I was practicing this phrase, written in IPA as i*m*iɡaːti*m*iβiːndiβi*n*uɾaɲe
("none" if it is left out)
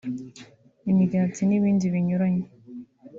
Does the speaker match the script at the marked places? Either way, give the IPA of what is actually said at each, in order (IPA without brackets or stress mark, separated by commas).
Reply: m, n, ɲ